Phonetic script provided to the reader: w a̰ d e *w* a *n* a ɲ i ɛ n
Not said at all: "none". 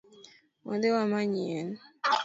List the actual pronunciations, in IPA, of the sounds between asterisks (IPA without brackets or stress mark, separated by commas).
w, m